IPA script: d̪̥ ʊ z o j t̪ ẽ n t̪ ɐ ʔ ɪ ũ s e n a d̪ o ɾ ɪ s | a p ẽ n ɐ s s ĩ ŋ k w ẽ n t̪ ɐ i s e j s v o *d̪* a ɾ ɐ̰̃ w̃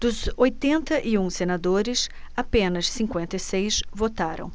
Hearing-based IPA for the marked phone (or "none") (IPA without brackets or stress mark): t̪